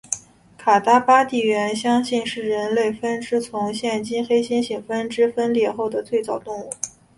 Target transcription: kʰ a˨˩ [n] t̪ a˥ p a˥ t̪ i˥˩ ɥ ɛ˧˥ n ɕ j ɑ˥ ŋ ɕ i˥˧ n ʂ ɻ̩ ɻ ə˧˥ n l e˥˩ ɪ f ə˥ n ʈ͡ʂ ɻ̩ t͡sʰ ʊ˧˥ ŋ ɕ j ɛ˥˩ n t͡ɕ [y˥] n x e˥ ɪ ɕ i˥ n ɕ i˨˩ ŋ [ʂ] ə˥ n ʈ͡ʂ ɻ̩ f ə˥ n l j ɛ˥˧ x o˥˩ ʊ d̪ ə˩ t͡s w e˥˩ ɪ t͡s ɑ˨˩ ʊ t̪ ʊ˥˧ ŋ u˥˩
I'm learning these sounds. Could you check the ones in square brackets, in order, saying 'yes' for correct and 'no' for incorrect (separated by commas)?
no, no, no